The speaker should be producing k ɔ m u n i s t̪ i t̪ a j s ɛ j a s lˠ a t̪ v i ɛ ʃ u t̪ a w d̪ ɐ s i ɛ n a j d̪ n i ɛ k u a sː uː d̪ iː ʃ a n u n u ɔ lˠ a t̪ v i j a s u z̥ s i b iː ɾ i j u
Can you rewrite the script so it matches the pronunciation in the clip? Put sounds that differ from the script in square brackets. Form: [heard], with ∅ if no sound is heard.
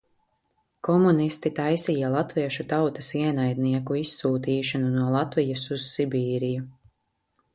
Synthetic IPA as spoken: k ɔ m u n i s t̪ i t̪ a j s [i] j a [∅] lˠ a t̪ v i ɛ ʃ u t̪ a w [t̪] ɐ s i ɛ n a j d̪ n i ɛ k u [i] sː uː [t̪] iː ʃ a n u n u ɔ lˠ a t̪ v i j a s u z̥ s i b iː ɾ i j u